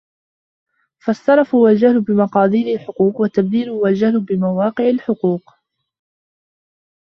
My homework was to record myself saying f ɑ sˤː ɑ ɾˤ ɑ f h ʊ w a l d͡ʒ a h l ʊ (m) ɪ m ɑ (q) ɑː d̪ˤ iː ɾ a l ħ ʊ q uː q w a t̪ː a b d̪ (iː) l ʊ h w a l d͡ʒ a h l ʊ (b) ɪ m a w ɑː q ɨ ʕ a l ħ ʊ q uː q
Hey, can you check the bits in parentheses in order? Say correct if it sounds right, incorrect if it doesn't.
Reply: incorrect, correct, correct, correct

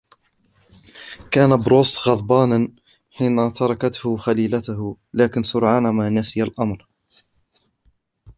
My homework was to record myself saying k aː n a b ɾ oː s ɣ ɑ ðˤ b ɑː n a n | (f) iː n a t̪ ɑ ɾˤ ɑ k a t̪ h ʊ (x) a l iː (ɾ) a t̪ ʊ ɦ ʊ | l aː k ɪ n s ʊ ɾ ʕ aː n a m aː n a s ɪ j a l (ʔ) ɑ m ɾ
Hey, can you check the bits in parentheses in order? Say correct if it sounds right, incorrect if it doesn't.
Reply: incorrect, correct, incorrect, correct

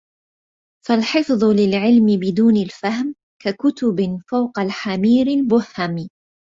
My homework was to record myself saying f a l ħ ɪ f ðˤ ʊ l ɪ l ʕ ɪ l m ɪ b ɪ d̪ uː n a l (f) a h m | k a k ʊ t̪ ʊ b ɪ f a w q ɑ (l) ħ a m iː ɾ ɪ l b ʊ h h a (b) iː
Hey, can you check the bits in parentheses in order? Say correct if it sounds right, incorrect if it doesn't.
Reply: correct, correct, incorrect

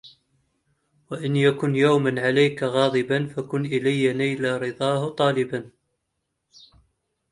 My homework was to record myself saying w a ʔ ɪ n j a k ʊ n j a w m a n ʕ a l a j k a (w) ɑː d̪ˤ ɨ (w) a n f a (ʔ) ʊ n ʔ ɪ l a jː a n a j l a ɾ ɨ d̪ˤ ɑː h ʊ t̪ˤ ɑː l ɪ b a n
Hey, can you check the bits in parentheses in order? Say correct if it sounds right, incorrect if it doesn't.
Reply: incorrect, incorrect, incorrect

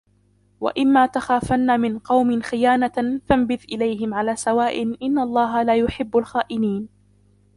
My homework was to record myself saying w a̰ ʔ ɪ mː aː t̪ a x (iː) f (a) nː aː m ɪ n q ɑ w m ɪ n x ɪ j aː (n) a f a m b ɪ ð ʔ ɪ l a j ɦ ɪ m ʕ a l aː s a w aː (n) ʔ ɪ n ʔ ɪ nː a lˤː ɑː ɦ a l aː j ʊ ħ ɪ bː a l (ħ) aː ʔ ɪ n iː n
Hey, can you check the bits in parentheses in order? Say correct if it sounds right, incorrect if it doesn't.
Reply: incorrect, correct, correct, incorrect, incorrect

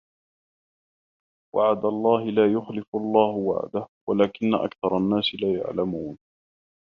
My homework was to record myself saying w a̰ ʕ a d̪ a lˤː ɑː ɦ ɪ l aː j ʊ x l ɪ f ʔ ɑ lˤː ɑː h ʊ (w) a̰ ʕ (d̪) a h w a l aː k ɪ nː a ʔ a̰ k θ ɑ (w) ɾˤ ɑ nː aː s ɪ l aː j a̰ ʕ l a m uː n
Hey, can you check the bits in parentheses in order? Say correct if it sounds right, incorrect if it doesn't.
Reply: correct, correct, incorrect

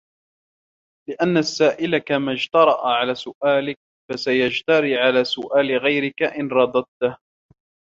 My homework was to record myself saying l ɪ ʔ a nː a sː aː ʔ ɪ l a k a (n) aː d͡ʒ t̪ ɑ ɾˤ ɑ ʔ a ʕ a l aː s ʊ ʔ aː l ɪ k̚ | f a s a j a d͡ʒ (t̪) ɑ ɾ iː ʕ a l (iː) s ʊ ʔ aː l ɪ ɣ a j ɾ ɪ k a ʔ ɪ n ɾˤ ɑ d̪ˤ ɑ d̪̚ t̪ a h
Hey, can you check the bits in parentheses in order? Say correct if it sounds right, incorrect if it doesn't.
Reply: incorrect, correct, incorrect

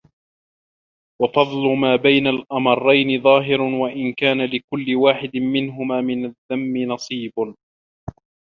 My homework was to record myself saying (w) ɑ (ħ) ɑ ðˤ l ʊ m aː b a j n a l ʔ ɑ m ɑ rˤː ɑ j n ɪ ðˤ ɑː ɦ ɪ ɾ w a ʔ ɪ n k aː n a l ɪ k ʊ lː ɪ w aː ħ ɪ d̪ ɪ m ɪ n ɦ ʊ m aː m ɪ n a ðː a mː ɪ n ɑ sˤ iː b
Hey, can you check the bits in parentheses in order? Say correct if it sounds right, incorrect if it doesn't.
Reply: correct, incorrect

